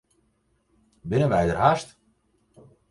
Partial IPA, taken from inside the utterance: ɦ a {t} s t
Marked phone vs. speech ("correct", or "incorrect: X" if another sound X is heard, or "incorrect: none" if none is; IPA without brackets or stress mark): incorrect: none